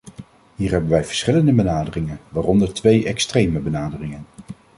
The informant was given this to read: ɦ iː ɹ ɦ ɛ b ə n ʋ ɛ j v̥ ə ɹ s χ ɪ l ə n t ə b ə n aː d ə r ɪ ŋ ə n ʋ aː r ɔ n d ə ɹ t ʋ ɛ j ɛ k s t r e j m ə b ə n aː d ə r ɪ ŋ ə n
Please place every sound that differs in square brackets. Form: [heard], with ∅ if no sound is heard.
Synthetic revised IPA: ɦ iː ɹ ɦ ɛ b ə n ʋ ɛ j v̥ ə ɹ s χ ɪ l ə n [d] ə b ə n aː d ə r ɪ ŋ ə n ʋ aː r ɔ n d ə ɹ t ʋ [e] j ɛ k s t r e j m ə b ə n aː d ə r ɪ ŋ ə n